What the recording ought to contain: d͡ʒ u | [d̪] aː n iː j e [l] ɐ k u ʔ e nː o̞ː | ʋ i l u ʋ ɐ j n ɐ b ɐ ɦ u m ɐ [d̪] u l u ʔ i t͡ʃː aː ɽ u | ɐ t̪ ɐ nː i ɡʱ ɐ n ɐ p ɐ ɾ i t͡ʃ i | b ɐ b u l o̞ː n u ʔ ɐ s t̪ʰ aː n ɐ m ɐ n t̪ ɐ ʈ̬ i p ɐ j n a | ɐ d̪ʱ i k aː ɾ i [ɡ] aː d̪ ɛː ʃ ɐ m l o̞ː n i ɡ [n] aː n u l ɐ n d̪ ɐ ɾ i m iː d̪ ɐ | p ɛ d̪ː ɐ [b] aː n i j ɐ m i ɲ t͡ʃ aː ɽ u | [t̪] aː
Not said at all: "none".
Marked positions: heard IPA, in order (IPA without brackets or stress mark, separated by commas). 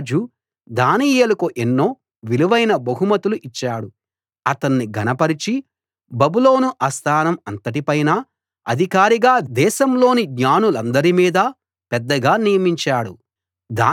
d̪, l, t̪, ɡ, ɲ, ɡ, d̪